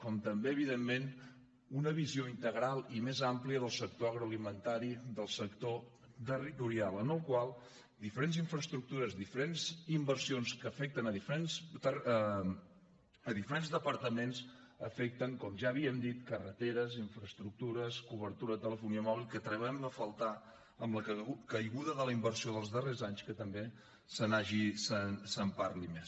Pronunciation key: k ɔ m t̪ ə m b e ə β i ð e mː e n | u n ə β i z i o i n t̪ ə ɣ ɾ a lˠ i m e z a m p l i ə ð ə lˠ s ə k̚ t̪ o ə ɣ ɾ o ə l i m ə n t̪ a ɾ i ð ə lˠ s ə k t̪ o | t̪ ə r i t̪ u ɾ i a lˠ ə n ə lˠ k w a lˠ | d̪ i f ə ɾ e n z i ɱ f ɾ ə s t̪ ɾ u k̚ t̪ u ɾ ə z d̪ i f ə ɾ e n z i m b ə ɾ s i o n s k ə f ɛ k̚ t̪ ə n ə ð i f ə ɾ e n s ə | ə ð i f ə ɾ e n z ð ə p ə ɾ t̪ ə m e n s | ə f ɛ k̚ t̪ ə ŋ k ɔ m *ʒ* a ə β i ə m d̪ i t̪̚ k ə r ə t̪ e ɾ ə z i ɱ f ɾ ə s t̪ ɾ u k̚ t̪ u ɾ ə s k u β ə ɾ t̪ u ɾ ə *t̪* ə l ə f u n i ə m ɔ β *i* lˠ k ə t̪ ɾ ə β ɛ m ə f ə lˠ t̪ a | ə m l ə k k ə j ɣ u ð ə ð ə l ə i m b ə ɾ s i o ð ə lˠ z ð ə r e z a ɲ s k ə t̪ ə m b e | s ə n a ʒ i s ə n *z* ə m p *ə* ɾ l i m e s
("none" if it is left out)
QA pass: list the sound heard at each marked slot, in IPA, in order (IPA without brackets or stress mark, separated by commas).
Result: ʒ, t̪, i, s, a